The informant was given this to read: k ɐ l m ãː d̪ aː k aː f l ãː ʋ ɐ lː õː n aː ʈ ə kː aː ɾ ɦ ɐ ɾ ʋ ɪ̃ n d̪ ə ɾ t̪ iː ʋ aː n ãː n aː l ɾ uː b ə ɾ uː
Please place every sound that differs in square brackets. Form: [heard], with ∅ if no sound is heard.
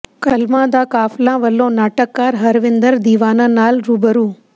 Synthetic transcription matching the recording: k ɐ l m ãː d̪ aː k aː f l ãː ʋ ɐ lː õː n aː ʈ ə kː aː ɾ ɦ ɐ ɾ ʋ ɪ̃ n d̪ ə ɾ [d̪] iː ʋ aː n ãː n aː l ɾ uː b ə ɾ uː